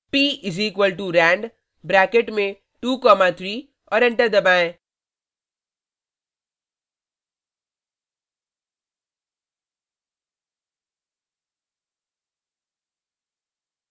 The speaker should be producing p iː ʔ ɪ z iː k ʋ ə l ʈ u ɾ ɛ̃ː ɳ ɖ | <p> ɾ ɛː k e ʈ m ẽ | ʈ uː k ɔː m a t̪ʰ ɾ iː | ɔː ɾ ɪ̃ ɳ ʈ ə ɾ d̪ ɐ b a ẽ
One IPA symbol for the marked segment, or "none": b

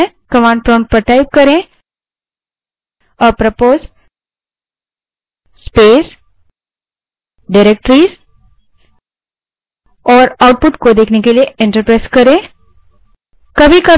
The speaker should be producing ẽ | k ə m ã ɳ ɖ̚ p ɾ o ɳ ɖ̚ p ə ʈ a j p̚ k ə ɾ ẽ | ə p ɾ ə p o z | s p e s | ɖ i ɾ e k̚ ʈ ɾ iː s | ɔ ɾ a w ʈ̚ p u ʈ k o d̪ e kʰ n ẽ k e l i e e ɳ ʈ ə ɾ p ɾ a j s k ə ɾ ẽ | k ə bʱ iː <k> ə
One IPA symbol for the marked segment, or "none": k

